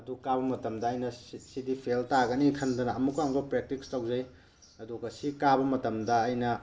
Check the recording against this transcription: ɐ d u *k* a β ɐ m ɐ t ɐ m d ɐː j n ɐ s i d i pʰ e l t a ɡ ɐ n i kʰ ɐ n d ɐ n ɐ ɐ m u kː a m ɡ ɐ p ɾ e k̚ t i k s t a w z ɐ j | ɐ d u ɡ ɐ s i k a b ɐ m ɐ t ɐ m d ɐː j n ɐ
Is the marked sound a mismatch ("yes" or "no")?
no